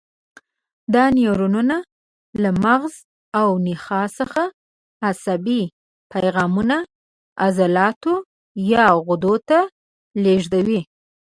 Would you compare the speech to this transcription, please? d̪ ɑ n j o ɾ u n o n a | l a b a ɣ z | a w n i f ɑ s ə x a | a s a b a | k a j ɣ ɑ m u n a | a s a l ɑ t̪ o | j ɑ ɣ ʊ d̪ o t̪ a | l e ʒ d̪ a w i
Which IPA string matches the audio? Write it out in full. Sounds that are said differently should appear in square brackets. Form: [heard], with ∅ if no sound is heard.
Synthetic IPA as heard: d̪ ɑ n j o ɾ u n [u] n a | l a [m] a ɣ z | a w n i [x] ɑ s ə x a | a s a b [i] | [p] a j ɣ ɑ m u n a | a [z] a l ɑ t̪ o | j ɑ ɣ ʊ d̪ o t̪ a | l e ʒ d̪ a w i